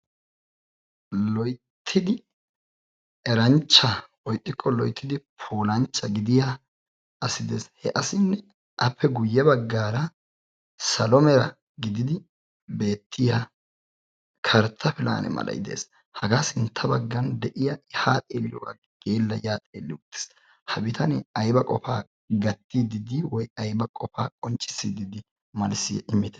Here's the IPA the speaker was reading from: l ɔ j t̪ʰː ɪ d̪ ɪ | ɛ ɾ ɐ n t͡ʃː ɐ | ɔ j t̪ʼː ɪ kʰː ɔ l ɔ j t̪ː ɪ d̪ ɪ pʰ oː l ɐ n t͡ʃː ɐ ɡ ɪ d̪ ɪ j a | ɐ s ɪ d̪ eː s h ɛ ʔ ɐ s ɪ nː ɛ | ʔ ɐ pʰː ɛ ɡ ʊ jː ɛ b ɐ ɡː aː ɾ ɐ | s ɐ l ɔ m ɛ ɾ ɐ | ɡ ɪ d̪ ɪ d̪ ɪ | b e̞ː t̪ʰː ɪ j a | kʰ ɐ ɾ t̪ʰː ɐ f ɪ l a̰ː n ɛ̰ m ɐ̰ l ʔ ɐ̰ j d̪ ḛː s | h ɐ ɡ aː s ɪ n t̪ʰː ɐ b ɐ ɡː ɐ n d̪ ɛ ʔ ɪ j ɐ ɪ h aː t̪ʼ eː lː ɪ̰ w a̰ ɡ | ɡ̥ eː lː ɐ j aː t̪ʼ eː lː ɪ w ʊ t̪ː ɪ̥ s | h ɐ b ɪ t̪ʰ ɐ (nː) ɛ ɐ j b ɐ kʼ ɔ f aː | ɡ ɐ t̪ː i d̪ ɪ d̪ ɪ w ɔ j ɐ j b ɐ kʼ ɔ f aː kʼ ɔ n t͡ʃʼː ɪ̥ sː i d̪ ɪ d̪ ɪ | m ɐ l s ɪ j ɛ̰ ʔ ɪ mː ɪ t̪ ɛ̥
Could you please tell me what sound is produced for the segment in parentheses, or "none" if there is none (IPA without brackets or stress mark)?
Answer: n